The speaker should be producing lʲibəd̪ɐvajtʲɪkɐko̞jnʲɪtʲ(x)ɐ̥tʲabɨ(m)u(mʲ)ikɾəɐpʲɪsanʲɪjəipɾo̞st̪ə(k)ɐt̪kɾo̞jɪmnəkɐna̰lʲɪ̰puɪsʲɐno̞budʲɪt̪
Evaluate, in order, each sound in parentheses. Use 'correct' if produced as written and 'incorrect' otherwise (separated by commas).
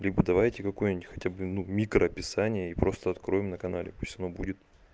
correct, incorrect, correct, incorrect